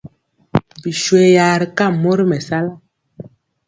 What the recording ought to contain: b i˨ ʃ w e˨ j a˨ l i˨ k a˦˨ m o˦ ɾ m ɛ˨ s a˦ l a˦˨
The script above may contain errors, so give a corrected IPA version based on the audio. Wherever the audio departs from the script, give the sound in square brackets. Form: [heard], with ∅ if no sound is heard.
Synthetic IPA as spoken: b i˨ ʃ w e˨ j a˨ [ɾ] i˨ k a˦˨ m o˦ ɾ m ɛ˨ s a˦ l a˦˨